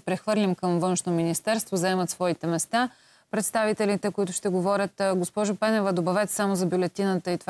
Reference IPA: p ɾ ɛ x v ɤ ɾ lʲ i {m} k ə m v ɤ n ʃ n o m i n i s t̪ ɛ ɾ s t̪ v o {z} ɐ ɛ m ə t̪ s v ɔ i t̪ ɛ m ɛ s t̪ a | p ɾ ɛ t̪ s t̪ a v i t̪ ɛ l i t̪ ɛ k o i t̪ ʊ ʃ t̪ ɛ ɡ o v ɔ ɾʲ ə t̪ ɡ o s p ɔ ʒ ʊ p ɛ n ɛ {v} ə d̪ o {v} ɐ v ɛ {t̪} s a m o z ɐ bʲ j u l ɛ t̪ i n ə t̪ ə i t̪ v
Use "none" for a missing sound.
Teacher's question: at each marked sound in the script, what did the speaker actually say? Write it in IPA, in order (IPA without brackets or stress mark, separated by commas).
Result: m, z, v, b, t̪